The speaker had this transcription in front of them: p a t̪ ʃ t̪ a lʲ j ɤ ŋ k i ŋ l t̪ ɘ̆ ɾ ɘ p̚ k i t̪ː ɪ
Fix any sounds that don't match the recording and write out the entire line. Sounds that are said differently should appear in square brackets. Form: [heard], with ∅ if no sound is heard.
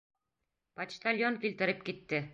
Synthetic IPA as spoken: p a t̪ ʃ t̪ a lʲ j [o] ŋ k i [∅] l t̪ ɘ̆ ɾ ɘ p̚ k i t̪ː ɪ